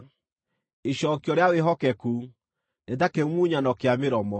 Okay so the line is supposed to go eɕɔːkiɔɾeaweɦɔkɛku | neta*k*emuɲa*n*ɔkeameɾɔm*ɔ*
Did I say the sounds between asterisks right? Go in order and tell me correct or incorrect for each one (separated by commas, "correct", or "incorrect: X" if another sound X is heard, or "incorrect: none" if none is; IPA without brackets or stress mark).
correct, correct, correct